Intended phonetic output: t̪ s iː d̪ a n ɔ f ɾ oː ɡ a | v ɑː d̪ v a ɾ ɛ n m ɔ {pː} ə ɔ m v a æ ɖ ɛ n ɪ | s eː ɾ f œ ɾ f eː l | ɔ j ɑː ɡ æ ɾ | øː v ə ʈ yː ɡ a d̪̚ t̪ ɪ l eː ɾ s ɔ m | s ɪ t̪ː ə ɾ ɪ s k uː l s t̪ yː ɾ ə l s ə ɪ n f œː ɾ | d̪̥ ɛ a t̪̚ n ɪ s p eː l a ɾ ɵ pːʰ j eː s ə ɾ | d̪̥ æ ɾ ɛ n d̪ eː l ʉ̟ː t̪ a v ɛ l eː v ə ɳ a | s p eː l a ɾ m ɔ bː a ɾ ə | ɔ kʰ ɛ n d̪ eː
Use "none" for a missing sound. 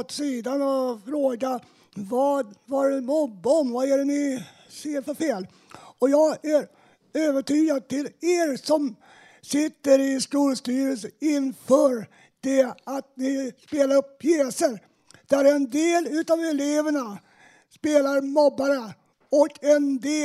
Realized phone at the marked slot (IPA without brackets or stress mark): bː